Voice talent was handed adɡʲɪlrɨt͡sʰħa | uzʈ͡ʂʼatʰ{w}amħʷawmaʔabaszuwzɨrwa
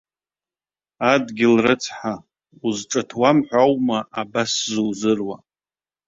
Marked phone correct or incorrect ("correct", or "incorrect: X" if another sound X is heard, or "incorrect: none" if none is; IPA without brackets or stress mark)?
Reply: correct